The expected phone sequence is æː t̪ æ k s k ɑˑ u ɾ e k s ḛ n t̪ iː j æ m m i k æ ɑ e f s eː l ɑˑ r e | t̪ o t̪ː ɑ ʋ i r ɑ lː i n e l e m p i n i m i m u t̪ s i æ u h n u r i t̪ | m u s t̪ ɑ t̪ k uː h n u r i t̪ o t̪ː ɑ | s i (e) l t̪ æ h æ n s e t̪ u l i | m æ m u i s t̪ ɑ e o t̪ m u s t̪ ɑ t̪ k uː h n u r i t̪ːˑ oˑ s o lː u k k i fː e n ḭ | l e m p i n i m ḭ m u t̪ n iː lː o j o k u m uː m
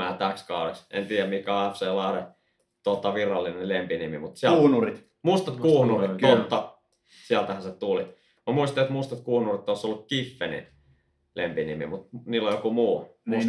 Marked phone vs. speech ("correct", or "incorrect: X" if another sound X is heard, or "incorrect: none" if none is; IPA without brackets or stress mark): incorrect: æ